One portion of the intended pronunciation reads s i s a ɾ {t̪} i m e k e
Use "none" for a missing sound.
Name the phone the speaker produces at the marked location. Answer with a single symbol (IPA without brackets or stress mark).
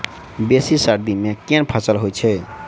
d̪